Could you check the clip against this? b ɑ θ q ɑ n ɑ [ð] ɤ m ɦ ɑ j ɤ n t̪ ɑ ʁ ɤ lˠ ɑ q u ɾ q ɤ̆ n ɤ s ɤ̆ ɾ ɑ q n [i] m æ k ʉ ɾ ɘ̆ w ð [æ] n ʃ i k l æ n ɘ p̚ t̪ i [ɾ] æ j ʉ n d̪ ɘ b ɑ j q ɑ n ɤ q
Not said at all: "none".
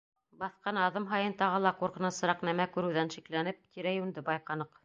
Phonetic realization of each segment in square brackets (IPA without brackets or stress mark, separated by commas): ð, æ, æ, ɾ